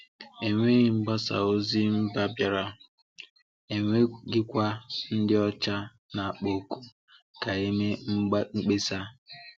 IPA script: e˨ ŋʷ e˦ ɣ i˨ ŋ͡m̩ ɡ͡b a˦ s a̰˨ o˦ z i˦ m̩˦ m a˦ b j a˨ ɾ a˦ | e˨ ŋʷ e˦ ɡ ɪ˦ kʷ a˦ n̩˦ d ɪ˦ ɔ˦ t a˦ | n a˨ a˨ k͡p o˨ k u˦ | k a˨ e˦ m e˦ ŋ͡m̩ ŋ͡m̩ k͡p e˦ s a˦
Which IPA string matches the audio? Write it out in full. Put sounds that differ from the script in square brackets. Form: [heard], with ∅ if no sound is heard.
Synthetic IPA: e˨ ŋʷ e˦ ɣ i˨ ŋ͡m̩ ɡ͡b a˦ s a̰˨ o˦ z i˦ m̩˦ [b] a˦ b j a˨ ɾ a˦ | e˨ ŋʷ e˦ ɡ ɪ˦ kʷ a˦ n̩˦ d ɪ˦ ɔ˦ [t͡ʃ] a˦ | n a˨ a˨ k͡p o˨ k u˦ | k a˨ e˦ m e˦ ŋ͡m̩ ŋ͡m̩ k͡p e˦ s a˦

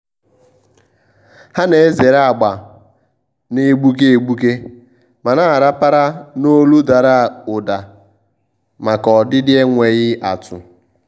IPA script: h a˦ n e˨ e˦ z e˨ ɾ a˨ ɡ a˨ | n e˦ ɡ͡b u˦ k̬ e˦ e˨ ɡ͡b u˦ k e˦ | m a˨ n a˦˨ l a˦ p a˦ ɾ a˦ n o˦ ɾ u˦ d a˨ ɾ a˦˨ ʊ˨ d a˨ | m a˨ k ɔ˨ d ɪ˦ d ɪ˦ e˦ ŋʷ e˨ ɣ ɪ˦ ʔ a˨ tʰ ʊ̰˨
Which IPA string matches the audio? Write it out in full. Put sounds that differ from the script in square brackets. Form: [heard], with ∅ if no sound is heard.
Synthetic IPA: h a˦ n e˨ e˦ z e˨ ɾ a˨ [ɡ͡b] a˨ | n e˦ ɡ͡b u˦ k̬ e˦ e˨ ɡ͡b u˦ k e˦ | m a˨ n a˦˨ [ɾ] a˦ p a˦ ɾ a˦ n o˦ [l] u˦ d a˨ ɾ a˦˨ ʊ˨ d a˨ | m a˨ k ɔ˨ d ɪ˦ d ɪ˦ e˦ ŋʷ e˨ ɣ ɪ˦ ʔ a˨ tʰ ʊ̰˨

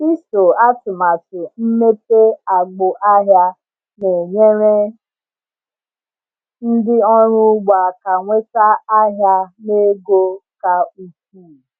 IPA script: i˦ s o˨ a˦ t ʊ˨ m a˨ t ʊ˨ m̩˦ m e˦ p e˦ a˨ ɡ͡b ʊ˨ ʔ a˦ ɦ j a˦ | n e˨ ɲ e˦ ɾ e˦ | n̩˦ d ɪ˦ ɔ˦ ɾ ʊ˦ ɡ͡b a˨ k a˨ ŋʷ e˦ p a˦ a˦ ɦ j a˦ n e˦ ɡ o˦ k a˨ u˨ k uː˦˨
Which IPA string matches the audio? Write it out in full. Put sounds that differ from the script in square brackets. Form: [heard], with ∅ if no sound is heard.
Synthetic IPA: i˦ s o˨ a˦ t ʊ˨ m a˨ t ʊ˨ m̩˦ m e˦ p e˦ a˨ ɡ͡b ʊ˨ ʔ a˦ ɦ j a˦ | n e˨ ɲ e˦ ɾ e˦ | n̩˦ d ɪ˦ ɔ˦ ɾ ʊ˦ ɡ͡b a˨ k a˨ ŋʷ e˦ [t] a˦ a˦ ɦ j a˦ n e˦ ɡ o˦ k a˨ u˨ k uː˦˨

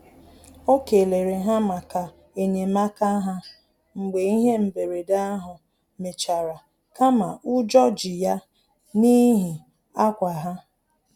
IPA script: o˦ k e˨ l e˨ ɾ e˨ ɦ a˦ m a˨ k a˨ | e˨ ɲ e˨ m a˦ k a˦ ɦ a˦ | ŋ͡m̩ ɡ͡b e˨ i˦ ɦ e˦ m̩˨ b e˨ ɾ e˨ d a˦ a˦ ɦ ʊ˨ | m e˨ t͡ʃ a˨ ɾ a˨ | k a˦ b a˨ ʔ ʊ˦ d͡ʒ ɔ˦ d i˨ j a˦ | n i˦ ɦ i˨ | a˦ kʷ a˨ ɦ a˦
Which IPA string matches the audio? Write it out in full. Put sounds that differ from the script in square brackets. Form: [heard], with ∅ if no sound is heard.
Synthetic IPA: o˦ k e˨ l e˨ ɾ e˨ ɦ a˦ m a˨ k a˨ | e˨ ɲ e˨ m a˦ k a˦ ɦ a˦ | ŋ͡m̩ ɡ͡b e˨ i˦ ɦ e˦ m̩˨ b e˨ ɾ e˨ d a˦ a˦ ɦ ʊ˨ | m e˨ t͡ʃ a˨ ɾ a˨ | k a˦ [m] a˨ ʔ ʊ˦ d͡ʒ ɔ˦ [d͡ʒ] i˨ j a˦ | n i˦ ɦ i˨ | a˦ kʷ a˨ ɦ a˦

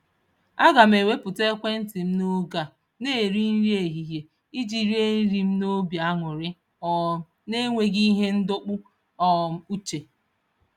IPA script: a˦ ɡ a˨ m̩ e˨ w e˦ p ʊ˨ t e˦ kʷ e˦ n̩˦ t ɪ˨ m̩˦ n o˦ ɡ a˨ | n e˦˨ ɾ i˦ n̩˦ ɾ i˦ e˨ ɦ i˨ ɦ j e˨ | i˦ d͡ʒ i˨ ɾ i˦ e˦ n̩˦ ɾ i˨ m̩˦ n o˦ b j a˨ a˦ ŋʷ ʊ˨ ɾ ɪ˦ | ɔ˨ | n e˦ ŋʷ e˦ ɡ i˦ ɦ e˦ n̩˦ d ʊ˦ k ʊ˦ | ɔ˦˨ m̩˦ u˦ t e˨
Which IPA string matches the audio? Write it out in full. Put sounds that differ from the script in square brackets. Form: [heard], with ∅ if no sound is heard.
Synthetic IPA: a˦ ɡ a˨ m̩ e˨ w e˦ p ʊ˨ t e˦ kʷ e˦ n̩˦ t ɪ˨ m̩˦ n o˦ ɡ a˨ | n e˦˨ ɾ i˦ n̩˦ ɾ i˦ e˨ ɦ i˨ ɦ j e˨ | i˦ d͡ʒ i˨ ɾ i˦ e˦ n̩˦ ɾ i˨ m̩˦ n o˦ b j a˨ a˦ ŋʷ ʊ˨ ɾ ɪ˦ | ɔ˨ | n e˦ ŋʷ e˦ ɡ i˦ ɦ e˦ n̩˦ d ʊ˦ [k͡p] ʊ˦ | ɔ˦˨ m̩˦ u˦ [t͡ʃ] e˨

